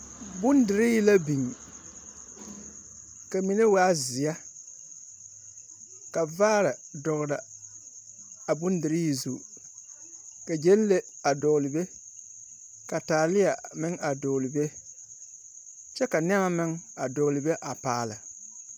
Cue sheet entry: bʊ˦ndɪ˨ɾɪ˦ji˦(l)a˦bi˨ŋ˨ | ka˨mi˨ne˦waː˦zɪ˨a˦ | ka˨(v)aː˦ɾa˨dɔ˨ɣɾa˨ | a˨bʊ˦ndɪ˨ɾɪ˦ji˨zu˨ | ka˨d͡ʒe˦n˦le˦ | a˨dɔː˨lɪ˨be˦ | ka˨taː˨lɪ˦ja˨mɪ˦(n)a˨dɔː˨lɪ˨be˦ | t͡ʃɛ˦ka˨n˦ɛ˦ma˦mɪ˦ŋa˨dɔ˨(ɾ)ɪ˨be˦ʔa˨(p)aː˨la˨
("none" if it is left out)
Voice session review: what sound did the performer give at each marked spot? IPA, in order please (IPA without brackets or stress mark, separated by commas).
l, v, ŋ, l, p